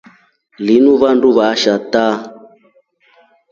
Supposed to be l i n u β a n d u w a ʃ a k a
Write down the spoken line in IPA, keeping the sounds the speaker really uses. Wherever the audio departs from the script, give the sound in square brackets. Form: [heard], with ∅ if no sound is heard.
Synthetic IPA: l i n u β a n d u [β] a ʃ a [t] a